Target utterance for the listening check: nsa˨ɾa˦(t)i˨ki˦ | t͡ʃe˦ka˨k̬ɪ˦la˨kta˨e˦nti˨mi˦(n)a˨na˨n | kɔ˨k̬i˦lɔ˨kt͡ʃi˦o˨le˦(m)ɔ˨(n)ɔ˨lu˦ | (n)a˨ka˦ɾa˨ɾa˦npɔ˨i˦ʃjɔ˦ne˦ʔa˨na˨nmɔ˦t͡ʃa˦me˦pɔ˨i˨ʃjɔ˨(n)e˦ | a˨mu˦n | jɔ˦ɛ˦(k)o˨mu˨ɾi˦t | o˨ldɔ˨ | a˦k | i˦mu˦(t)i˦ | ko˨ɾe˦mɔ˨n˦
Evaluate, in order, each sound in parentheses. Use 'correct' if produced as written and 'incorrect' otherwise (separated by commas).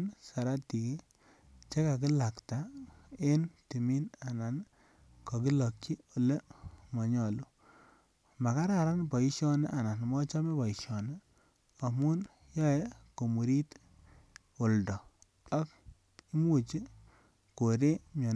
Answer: correct, correct, correct, incorrect, incorrect, correct, correct, incorrect